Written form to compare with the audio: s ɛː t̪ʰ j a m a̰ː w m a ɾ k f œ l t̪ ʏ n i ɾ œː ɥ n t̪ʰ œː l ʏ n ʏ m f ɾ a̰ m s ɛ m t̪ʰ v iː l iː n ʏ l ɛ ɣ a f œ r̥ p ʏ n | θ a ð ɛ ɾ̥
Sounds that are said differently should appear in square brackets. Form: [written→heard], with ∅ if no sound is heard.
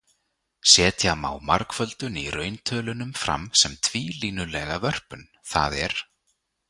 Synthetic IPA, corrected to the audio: s ɛː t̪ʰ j a m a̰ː w m a ɾ k f œ l t̪ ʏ n i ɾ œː ɥ n t̪ʰ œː l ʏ n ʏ m f ɾ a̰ m s ɛ m t̪ʰ v iː l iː n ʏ l ɛ ɣ a [f→v] œ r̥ p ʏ n | θ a ð ɛ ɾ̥